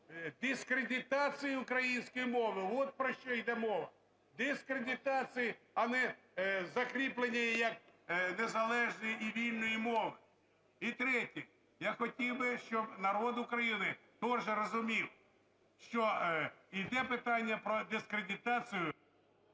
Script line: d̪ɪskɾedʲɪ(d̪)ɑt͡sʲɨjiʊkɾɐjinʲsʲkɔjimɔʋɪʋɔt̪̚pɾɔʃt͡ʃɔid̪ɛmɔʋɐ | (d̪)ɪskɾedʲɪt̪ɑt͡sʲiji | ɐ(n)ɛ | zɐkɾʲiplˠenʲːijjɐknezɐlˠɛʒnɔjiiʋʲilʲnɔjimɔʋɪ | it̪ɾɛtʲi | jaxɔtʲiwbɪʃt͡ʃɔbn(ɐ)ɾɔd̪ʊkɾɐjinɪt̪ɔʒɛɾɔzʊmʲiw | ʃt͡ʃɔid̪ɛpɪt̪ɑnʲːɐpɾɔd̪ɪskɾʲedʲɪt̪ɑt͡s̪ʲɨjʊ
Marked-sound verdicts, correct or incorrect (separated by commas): incorrect, correct, correct, correct